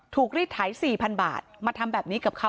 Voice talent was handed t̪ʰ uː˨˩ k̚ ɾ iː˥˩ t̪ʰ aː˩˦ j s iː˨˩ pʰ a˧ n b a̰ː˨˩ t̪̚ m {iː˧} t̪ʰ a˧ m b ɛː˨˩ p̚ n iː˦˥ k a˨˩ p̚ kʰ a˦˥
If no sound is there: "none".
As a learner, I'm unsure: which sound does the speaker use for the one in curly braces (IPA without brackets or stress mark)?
aː˧